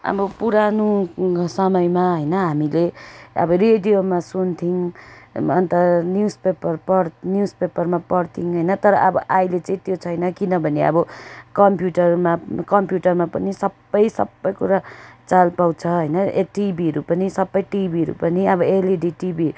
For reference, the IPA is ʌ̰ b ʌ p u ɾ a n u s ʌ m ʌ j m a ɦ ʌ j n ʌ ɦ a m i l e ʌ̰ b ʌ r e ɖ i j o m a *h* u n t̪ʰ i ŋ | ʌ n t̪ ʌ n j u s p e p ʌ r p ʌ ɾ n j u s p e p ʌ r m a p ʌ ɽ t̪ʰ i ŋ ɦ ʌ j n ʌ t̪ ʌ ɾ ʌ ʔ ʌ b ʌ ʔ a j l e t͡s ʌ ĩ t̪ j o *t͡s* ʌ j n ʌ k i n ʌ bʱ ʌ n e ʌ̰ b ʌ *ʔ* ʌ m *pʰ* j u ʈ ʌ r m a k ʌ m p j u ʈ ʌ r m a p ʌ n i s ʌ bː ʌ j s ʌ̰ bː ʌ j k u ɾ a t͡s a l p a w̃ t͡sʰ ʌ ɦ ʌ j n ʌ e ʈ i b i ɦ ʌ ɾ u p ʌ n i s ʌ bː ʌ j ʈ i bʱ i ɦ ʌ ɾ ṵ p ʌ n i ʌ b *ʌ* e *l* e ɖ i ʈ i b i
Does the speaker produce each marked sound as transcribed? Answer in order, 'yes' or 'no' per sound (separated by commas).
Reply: no, no, no, no, yes, yes